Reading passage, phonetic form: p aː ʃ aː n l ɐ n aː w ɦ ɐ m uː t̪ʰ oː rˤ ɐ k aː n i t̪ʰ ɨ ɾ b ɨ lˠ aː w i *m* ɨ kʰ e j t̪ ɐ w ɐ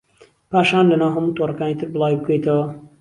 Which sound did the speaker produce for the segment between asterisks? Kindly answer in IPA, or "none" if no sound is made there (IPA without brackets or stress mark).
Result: b